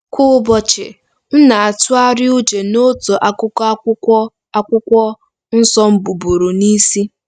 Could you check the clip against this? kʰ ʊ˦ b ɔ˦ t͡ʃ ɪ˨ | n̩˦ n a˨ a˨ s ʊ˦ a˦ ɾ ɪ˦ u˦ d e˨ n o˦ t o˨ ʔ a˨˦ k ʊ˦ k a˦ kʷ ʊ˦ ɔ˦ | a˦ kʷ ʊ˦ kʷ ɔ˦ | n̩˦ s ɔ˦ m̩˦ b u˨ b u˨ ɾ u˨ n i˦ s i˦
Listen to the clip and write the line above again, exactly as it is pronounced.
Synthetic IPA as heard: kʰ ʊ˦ b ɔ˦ t͡ʃ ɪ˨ | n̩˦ n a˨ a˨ t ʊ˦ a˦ ɾ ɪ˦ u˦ d͡ʒ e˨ n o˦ t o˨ ʔ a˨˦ k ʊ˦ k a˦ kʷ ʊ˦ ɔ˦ | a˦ kʷ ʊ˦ kʷ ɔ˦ | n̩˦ s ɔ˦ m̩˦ b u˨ b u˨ ɾ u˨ n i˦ s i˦